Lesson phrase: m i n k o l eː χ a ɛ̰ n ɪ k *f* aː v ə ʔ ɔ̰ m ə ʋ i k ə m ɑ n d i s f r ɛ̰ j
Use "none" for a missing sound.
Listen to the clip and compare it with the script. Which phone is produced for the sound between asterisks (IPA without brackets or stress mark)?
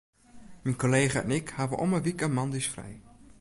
h